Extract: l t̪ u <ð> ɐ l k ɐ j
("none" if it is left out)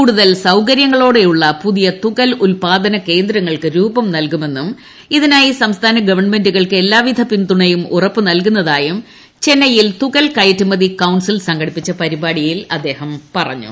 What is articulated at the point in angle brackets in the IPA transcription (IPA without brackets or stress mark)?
ɣ